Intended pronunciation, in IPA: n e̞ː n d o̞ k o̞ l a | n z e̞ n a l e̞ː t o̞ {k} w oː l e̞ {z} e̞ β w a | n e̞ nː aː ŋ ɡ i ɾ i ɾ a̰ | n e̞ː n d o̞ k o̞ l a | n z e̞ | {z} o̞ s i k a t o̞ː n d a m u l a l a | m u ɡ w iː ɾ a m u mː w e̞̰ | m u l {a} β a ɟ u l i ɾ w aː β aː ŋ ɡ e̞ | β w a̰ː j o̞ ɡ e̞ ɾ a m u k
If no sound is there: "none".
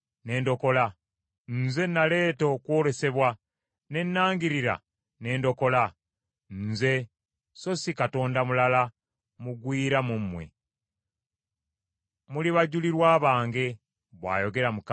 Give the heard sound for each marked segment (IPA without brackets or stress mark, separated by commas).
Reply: k, s, s, i